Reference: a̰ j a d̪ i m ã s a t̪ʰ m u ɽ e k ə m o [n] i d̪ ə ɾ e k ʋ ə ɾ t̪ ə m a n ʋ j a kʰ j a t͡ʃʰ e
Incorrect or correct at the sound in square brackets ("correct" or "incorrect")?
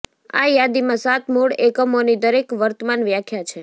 correct